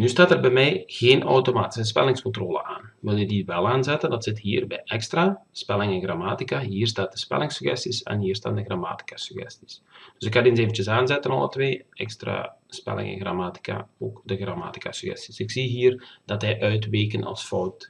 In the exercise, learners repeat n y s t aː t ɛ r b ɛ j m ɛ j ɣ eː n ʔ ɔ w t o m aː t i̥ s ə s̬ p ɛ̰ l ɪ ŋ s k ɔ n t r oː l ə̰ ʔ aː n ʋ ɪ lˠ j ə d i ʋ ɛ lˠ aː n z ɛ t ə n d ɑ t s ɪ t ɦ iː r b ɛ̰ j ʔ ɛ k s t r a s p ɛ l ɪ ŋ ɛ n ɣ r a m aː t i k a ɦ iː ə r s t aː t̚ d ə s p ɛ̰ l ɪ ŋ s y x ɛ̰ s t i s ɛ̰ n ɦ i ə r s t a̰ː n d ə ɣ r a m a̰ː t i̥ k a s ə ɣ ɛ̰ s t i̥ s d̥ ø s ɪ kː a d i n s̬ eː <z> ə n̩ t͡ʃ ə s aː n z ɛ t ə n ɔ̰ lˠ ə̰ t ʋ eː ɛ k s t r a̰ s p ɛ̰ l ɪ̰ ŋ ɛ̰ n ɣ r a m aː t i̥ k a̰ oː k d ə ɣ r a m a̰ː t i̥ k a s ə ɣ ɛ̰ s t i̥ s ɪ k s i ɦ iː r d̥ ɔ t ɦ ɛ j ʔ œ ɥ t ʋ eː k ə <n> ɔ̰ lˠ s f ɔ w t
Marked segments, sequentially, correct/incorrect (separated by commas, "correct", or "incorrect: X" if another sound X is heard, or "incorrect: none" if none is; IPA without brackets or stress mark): incorrect: v, correct